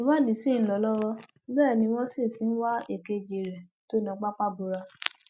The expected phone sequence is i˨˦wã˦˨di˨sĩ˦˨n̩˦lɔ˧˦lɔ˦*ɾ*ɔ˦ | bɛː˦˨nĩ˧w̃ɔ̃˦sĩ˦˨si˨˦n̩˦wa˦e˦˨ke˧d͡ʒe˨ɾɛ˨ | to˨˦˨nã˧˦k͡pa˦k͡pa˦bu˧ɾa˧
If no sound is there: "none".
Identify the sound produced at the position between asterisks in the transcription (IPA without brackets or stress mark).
ɾ